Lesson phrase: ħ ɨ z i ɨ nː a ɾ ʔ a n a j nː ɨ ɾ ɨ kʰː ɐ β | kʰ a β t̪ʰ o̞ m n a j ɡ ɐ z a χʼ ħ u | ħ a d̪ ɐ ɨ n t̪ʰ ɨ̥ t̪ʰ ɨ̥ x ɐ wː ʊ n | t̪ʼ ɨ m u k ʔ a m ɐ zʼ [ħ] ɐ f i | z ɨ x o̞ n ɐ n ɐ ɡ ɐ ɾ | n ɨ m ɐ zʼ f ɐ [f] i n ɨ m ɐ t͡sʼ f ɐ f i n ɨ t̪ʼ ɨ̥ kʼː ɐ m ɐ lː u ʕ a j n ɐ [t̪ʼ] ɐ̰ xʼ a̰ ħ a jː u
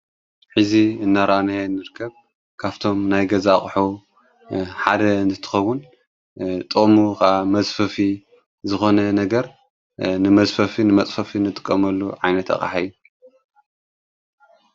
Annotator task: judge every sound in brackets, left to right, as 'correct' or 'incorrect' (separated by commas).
incorrect, correct, incorrect